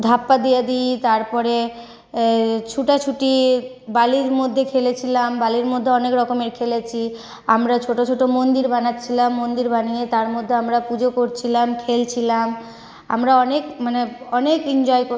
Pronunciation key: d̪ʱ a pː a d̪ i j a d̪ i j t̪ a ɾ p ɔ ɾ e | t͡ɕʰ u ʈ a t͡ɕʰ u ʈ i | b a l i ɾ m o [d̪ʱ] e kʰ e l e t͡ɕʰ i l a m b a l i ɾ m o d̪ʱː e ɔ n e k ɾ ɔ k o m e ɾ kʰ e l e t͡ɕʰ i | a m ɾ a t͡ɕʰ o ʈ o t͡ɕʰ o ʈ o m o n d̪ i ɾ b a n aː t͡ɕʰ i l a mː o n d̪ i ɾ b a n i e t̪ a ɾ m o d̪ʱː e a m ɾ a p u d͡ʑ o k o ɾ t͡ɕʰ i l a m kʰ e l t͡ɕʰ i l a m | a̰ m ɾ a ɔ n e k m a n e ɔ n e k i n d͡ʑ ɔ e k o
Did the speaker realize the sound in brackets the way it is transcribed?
no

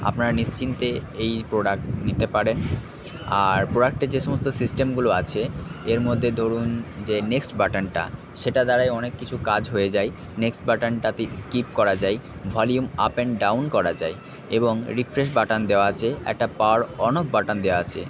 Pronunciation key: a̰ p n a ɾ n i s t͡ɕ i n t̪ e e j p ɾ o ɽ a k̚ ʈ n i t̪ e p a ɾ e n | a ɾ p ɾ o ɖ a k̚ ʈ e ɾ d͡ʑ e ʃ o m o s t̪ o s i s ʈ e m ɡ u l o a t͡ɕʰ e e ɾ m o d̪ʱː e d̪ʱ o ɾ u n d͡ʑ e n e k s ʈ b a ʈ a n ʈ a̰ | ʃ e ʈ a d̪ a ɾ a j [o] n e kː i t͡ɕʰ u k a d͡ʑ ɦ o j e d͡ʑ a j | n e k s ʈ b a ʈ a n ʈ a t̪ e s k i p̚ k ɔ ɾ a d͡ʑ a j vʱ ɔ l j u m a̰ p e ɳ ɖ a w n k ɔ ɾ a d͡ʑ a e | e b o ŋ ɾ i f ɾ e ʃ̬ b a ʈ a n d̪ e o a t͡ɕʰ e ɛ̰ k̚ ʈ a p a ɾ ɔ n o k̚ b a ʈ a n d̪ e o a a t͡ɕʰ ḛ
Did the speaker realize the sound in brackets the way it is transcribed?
no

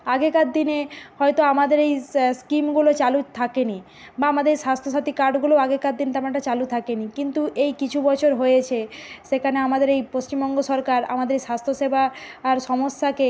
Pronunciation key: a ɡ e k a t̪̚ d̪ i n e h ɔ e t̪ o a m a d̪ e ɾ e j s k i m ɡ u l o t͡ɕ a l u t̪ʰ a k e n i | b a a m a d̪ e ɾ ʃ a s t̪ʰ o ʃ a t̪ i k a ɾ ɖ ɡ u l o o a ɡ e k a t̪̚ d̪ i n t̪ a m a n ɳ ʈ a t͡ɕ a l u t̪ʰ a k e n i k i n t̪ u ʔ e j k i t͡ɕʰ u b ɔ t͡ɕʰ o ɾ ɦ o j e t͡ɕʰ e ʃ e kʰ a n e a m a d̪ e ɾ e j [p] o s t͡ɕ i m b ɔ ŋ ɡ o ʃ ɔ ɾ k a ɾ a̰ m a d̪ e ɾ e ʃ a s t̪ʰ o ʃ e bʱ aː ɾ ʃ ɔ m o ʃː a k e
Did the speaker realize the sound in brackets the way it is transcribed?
yes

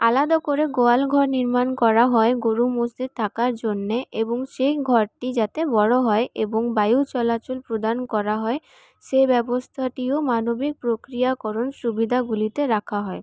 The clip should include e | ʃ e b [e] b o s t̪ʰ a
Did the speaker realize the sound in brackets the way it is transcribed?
no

